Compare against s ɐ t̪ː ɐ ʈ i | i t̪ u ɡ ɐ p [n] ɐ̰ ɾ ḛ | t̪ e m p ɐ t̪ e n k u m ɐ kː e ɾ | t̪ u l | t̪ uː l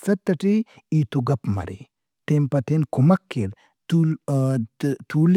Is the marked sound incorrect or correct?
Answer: incorrect